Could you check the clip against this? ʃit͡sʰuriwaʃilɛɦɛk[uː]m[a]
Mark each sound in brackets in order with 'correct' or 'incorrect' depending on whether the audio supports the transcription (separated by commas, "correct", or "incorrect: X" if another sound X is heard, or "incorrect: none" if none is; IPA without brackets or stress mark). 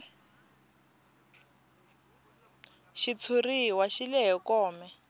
incorrect: ɔː, incorrect: ɛ